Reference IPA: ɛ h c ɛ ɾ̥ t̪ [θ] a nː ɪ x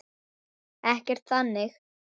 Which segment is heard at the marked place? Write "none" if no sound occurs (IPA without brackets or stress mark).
θ